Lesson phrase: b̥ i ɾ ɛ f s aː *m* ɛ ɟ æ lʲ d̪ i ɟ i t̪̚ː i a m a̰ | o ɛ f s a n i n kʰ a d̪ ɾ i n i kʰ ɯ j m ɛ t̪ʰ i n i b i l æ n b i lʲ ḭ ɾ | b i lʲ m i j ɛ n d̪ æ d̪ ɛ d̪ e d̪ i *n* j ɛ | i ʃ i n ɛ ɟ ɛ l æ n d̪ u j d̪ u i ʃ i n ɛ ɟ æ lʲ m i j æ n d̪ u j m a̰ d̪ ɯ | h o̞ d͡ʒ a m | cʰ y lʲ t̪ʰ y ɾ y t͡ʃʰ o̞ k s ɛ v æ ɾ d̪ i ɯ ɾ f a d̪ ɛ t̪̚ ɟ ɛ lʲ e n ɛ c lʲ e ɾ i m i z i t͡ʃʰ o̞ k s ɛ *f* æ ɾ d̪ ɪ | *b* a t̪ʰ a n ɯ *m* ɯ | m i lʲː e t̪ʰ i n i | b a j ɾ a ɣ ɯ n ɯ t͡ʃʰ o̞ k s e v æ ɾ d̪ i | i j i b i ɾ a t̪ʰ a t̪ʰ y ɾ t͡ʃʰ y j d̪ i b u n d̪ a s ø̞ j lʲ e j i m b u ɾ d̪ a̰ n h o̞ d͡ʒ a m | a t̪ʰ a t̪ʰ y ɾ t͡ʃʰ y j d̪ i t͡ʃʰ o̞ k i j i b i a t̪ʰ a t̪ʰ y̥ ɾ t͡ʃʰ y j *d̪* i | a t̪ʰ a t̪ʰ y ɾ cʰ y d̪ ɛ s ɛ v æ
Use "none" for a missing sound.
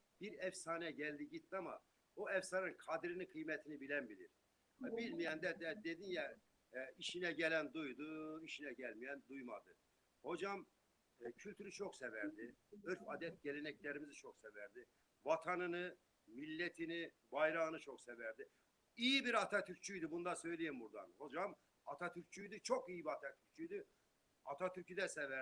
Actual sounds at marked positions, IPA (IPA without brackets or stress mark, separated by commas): n, n, v, v, n, d̪